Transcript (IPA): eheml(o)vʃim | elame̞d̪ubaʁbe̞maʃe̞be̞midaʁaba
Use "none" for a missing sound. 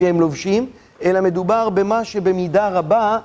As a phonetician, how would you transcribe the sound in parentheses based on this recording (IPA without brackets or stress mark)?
o